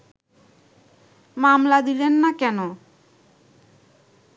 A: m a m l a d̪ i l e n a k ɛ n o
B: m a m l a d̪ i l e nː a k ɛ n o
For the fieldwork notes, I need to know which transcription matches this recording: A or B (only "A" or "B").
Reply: B